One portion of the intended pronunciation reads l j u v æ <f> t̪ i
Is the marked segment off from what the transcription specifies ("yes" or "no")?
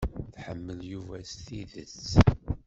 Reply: yes